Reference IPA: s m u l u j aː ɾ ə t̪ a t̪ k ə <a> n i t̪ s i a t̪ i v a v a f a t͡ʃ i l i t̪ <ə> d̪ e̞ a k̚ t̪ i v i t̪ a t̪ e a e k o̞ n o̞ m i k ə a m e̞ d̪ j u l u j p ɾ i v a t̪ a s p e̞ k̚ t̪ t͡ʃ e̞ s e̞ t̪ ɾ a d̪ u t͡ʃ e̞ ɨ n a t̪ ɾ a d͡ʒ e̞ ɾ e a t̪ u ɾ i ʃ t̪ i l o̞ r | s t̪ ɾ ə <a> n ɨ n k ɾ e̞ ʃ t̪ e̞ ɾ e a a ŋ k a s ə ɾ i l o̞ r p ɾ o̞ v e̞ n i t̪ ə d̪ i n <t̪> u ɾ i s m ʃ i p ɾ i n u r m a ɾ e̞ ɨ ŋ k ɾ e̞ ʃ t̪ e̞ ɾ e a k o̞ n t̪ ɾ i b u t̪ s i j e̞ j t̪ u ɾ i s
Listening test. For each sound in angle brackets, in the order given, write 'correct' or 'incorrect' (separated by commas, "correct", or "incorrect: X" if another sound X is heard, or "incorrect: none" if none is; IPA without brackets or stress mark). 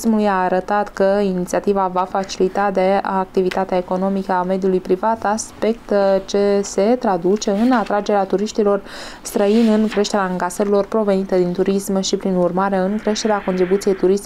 incorrect: i, incorrect: a, incorrect: i, correct